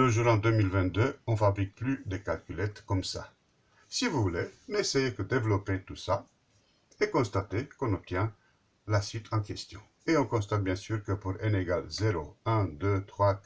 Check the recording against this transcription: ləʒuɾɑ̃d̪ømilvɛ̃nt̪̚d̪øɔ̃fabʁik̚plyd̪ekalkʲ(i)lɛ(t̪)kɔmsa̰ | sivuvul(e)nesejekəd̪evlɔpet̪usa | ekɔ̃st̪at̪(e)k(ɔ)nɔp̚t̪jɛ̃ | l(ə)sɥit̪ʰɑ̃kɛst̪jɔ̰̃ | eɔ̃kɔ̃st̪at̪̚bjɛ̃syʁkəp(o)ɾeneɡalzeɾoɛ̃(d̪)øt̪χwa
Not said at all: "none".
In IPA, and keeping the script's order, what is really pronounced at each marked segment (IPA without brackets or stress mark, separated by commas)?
y, t̪, e, e, ɔ̃, a, u, d̪